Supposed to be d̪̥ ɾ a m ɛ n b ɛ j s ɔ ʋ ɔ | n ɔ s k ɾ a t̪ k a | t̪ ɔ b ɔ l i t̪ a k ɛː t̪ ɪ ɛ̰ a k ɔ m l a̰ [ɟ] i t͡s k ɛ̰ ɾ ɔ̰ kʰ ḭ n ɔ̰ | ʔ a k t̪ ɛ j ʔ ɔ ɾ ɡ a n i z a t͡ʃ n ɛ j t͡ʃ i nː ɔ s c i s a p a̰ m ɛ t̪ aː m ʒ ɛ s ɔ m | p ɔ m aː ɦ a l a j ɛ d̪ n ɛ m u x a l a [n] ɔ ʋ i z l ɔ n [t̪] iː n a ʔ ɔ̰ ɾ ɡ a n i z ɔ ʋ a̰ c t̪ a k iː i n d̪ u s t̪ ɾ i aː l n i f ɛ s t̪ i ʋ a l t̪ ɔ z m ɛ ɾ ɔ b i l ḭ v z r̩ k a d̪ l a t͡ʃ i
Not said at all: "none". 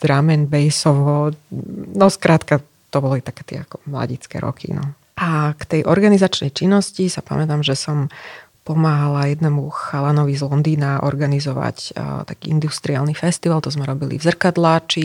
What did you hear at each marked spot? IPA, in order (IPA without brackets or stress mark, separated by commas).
ɟ, n, d̪